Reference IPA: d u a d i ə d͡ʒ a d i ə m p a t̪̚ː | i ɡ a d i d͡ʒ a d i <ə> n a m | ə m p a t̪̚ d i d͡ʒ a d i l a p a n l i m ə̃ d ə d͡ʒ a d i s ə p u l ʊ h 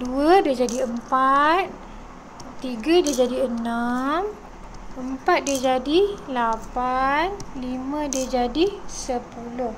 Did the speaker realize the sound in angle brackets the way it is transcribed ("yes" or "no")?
yes